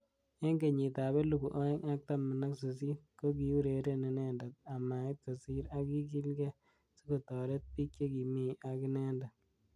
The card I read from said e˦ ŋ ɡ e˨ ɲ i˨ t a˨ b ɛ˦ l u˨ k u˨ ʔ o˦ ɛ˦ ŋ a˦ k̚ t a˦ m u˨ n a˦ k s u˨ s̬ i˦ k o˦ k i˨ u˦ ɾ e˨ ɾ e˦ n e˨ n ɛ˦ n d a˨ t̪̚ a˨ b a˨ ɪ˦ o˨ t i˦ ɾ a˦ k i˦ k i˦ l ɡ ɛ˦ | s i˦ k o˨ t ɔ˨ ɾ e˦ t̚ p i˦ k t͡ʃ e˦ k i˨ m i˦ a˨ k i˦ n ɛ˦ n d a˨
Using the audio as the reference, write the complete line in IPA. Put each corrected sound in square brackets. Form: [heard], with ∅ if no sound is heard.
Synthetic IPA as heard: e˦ ŋ ɡ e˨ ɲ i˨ t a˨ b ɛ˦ l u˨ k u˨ ʔ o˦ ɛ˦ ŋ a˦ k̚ t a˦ m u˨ n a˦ k s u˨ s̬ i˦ k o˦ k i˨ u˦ ɾ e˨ ɾ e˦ n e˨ n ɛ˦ n d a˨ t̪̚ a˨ [m] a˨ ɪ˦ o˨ [s] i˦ ɾ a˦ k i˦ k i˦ l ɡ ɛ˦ | s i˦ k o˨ t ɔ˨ ɾ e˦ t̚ p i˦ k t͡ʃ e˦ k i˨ m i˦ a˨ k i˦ n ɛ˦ n d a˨

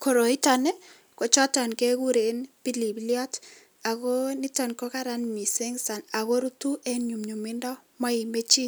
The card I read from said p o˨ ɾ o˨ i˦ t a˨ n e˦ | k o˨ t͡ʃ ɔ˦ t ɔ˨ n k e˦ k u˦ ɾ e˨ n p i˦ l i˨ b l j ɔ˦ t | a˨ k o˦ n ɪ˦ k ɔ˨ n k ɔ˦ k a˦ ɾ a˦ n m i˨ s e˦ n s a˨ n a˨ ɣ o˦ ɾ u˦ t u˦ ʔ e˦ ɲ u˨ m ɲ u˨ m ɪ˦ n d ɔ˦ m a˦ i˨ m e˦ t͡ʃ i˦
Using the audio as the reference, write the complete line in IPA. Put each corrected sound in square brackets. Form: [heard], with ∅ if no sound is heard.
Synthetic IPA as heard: [k] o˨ ɾ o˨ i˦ t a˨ n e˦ | k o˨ t͡ʃ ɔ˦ t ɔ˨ n k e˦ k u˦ ɾ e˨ n p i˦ l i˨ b l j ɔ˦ t | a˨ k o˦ n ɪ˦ [t] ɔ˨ n k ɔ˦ k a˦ ɾ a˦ n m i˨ s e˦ [ŋ] s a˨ n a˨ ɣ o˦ ɾ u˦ t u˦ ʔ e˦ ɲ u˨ m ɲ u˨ m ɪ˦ n d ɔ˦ m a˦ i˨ m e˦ t͡ʃ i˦

